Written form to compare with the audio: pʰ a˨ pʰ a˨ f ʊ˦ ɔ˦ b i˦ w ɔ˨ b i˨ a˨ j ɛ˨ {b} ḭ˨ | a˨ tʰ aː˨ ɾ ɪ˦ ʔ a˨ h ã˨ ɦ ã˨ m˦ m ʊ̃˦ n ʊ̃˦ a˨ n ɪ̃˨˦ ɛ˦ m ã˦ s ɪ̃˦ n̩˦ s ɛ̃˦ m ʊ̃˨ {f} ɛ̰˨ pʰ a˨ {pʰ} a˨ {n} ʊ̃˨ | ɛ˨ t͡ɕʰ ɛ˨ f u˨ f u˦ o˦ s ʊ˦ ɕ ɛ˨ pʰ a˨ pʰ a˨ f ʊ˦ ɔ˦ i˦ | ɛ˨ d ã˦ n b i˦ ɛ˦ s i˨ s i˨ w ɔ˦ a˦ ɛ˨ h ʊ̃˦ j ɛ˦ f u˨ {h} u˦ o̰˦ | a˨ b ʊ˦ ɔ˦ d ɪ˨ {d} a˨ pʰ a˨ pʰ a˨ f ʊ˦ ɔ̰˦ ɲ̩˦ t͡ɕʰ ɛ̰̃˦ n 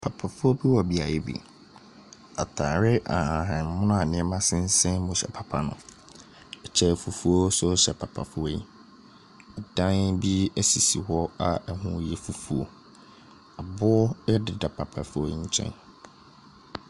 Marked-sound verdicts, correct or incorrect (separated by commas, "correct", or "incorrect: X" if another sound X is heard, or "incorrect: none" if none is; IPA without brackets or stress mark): correct, incorrect: ɕ, correct, correct, incorrect: f, correct